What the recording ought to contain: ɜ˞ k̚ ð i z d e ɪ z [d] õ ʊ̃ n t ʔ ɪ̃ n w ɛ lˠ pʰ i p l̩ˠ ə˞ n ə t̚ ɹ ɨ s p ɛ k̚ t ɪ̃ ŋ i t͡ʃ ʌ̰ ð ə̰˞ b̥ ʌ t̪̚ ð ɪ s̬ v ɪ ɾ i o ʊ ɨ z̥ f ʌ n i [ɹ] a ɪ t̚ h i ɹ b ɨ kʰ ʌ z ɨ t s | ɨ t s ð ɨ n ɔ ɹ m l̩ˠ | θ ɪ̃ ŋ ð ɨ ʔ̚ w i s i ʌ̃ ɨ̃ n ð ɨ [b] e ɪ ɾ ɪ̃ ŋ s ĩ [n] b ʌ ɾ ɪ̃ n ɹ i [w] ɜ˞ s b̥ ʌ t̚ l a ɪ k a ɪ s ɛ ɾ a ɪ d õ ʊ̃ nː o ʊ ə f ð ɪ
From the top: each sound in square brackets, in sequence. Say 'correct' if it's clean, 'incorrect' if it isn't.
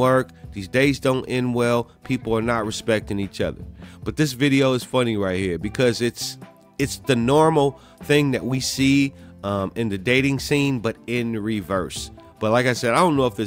correct, correct, incorrect: d, correct, incorrect: v

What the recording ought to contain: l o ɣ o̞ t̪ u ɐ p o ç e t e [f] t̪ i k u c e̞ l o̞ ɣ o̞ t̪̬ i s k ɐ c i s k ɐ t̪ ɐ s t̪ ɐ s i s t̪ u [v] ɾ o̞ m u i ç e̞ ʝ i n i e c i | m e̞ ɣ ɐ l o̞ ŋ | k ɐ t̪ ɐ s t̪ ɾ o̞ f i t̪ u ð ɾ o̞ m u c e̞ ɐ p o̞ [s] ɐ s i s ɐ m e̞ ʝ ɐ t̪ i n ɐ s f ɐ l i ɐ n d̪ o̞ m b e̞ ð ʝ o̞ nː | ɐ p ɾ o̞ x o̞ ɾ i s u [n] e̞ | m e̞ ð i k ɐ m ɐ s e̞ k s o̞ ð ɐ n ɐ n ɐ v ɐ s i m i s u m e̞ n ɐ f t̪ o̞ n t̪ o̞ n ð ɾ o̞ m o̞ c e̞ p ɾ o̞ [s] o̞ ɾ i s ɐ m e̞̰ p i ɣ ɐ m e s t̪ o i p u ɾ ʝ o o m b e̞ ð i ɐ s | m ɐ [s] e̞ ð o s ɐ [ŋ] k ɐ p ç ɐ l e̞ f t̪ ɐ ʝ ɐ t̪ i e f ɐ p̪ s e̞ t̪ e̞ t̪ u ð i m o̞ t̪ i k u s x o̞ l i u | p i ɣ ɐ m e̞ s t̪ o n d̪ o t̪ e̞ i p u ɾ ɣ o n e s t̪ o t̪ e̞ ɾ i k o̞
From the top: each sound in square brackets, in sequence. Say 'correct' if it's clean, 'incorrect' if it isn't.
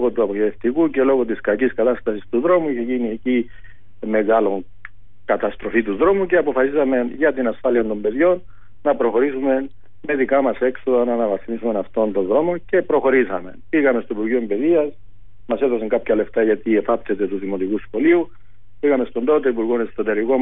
correct, incorrect: ð, incorrect: f, incorrect: m, incorrect: x, correct, correct

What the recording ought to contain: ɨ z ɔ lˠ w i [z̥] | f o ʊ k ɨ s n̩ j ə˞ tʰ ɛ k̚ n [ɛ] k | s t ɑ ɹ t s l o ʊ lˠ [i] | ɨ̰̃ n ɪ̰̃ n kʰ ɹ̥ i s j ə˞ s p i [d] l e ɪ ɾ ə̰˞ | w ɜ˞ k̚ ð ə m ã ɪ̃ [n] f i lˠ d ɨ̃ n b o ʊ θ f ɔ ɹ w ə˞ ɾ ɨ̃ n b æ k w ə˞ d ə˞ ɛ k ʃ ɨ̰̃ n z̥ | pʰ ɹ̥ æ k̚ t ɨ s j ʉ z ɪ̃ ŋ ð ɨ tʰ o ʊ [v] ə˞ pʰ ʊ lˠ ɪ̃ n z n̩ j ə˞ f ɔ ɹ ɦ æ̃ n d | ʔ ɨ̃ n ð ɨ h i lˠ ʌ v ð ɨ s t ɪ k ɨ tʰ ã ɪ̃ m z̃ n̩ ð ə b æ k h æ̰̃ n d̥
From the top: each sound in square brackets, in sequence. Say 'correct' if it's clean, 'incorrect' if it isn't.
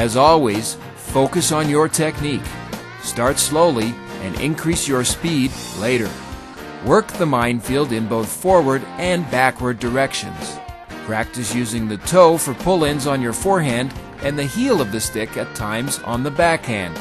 correct, incorrect: i, correct, correct, correct, incorrect: f

